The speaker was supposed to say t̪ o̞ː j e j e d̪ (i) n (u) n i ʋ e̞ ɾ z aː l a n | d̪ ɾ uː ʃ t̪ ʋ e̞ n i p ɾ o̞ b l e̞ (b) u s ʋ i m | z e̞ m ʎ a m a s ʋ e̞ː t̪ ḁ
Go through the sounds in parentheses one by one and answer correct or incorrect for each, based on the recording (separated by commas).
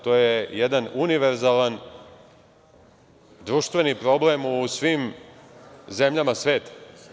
incorrect, correct, incorrect